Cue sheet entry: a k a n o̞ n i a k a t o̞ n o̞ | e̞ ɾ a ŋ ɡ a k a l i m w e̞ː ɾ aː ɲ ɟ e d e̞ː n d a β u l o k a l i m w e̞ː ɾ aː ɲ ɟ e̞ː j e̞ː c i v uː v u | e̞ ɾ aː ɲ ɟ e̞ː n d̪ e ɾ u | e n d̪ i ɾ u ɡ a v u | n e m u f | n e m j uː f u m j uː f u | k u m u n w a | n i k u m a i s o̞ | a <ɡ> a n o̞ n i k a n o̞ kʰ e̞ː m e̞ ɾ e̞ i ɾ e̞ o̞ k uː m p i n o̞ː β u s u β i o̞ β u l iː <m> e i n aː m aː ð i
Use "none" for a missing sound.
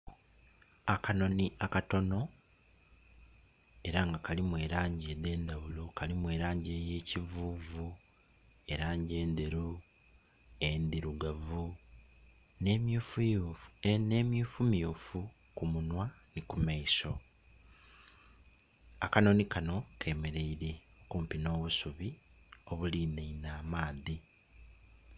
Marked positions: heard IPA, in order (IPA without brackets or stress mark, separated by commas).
k, n